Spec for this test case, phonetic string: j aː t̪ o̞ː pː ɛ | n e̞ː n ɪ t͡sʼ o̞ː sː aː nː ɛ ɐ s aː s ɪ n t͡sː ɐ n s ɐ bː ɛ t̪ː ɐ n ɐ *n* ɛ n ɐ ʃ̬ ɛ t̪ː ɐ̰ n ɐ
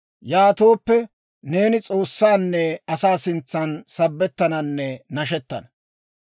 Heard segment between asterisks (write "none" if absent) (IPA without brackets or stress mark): nː